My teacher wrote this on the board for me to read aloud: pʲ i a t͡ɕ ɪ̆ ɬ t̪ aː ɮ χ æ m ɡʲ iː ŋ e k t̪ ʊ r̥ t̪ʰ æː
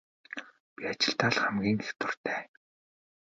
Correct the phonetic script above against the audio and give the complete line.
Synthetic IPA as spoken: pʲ i a t͡ɕ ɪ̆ ɬ t̪ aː ɮ χ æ m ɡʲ iː ŋ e x t̪ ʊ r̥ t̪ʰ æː

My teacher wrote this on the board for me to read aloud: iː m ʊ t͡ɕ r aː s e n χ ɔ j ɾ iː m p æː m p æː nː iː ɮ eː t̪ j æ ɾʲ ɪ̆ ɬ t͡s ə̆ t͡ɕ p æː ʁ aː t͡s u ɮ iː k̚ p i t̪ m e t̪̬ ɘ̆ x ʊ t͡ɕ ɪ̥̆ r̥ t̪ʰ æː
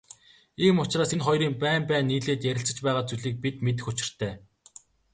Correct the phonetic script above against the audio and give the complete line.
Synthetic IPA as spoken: iː m ʊ t͡ɕ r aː s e n χ ɔ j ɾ iː m p æː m p æː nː iː ɮ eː t̪ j æ ɾʲ ɪ̆ ɬ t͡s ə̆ t͡ɕ p æː ʁ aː t͡s u ɮ iː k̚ p i t̪ m e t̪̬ ɘ̆ x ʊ t͡ɕ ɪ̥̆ r̥ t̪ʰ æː

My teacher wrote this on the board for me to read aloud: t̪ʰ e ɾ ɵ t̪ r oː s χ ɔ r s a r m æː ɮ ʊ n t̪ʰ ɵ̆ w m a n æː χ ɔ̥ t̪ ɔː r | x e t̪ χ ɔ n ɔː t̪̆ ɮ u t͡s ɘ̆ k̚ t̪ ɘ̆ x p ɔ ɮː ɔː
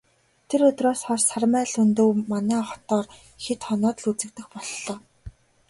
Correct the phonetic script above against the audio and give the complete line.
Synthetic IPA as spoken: t̪ʰ e ɾ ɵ t̪ r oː s χ ɔ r s a r m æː ɮ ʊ n t̪ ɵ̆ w m a n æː χ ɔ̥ t̪ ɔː r | x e t̪ χ ɔ n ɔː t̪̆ ɮ u t͡s ɘ̆ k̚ t̪ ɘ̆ x p ɔ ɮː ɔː

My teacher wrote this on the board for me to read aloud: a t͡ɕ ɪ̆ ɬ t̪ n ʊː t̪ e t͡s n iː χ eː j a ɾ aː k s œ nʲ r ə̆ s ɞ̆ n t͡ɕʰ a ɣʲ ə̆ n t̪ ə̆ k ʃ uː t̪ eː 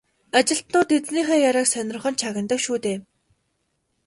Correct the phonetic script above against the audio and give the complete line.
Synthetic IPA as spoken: a t͡ɕ ɪ̆ ɬ t̪ n ʊː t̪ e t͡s n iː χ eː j a ɾ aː k s œ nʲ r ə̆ χ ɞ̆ n t͡ɕʰ a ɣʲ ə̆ n t̪ ə̆ k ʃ uː t̪ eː

